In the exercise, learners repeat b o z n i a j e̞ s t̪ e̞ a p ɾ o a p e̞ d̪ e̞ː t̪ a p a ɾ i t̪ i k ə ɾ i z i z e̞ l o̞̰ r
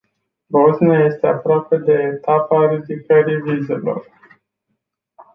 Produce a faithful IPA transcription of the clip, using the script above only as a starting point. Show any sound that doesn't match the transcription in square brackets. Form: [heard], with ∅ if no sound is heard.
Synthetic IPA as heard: b o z n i a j e̞ s t̪ e̞ a p ɾ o a p e̞ d̪ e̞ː t̪ a p a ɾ i [d̪] i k ə ɾ i [v] i z e̞ l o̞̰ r